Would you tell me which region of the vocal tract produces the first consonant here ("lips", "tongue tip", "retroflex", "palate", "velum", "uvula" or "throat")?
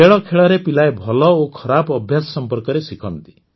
retroflex